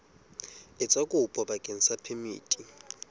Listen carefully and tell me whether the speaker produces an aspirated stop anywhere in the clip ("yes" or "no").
yes